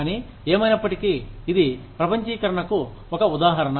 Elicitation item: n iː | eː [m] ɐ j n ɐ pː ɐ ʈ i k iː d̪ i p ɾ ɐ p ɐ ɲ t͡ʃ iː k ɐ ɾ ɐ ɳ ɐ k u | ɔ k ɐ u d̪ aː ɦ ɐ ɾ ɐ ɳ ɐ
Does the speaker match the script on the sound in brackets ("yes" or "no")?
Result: yes